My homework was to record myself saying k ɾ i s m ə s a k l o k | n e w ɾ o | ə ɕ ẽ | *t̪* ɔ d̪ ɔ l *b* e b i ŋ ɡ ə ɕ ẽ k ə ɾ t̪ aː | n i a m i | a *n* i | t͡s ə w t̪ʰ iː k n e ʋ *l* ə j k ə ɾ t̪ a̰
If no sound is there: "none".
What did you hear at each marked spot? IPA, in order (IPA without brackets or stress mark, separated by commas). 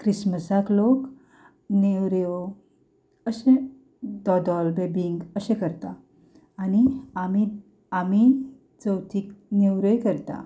d̪, b, m, ɾ